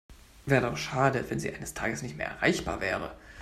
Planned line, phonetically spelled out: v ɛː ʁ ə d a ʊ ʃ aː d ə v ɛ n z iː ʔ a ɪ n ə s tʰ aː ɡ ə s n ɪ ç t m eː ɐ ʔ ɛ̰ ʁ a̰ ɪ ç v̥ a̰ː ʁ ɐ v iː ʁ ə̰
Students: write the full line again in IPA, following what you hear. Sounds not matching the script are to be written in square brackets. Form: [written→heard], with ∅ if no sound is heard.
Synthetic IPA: v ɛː ʁ ə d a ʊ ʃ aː d ə v ɛ n z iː ʔ a ɪ n ə s tʰ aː ɡ ə s n ɪ ç t m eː ɐ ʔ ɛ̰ ʁ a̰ ɪ ç [v̥→b̥] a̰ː [ʁ→∅] ɐ v [iː→ɛː] ʁ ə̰